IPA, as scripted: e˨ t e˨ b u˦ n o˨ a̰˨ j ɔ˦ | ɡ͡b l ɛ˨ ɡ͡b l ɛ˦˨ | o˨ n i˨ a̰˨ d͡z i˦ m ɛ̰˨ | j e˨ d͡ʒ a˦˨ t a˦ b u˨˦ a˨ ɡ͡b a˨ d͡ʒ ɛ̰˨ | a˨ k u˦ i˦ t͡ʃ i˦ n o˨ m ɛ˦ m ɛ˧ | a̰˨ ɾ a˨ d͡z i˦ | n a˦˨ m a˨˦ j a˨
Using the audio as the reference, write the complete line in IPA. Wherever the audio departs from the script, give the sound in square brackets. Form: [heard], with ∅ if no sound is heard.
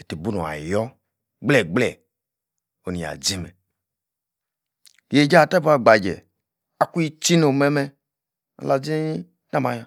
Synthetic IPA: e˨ t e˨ b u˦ n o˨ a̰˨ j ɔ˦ | ɡ͡b l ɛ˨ ɡ͡b l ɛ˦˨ | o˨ n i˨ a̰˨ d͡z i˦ m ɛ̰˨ | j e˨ d͡ʒ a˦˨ t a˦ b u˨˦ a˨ ɡ͡b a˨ d͡ʒ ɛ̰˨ | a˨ k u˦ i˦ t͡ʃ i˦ n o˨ m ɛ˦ m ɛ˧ | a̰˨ [l] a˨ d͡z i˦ | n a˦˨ m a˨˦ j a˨